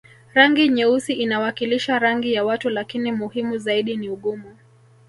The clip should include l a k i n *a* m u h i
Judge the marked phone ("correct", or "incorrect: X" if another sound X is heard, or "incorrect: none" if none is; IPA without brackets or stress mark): incorrect: i